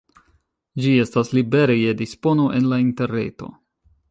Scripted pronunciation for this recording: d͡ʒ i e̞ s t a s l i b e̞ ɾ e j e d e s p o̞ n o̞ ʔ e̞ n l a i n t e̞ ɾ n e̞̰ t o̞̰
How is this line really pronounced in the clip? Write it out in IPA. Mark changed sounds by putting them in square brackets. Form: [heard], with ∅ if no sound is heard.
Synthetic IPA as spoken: d͡ʒ i e̞ s t a s l i b e̞ ɾ e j e d [i] s p o̞ n o̞ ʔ e̞ n l a i n t e̞ ɾ n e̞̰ t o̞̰